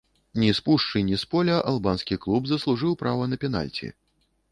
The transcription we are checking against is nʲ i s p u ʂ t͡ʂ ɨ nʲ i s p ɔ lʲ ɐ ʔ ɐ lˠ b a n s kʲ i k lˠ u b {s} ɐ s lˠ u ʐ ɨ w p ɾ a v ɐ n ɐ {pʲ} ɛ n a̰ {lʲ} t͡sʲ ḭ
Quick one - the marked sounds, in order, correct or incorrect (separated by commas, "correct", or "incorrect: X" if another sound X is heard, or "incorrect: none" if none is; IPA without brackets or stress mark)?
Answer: incorrect: z, correct, correct